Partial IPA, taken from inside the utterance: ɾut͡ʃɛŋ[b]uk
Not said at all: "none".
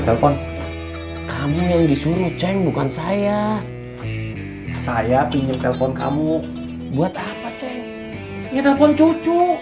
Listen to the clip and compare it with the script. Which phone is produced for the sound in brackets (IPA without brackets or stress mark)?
b